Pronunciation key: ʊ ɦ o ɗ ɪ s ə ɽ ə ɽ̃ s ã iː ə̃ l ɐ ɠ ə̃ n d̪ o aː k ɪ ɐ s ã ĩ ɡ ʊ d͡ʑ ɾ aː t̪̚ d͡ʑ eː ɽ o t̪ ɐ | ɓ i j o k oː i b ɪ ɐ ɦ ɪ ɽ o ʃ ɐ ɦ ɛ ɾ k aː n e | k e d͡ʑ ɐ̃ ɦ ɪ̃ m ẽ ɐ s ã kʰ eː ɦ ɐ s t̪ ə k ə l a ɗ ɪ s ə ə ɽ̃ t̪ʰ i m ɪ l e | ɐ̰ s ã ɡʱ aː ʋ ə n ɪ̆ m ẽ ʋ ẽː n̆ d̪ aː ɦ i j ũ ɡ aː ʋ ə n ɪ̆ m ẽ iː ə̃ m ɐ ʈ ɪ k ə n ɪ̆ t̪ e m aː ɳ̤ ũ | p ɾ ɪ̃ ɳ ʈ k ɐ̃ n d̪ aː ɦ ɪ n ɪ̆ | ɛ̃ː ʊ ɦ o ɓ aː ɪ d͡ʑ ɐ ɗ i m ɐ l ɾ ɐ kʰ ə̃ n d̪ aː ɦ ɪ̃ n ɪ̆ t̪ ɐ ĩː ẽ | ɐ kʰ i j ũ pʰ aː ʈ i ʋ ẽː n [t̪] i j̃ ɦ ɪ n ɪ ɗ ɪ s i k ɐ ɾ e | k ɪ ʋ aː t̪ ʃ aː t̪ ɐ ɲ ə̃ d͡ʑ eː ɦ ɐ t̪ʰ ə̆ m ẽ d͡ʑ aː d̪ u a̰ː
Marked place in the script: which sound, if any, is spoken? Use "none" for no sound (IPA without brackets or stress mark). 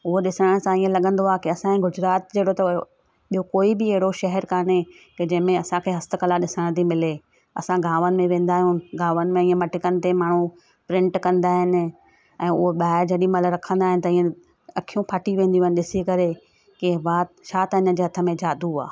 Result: d̪